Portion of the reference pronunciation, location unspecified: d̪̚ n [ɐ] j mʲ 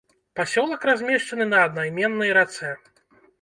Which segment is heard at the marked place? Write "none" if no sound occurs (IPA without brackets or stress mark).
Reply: a